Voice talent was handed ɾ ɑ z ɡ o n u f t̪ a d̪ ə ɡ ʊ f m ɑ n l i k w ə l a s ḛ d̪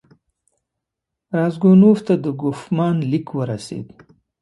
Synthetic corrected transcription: ɾ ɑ z ɡ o n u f t̪ a d̪ ə ɡ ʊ f m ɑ n l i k w ə ɾ a s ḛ d̪